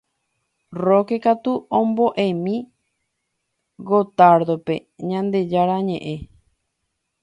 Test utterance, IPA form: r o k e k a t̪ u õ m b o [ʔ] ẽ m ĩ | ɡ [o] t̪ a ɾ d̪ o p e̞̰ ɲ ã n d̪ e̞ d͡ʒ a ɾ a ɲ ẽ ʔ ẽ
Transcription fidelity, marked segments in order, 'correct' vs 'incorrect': correct, correct

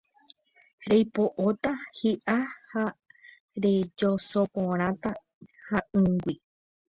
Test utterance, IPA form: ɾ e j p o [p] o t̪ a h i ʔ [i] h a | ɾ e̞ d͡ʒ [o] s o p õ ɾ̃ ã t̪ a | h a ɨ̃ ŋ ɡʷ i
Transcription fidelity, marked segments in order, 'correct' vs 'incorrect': incorrect: ʔ, incorrect: a, correct

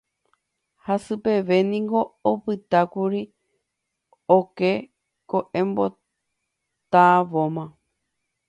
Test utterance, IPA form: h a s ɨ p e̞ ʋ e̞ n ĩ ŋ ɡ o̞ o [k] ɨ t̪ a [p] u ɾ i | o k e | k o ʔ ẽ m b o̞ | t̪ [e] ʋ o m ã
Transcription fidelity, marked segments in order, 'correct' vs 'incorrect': incorrect: p, incorrect: k, incorrect: a

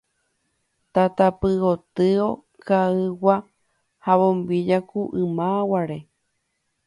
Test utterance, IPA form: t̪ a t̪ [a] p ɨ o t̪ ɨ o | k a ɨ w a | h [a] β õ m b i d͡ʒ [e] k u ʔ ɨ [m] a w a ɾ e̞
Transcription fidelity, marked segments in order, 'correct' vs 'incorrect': correct, correct, incorrect: a, correct

